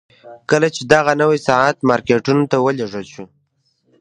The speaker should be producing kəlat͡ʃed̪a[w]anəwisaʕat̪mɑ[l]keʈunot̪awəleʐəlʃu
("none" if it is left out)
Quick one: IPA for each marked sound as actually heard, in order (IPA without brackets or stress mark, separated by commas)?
ɣ, ɾ